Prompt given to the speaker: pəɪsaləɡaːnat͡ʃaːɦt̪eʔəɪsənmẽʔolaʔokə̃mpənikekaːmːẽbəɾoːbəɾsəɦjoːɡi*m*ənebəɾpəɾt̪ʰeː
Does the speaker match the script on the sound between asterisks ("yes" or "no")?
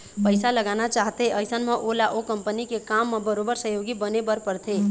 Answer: no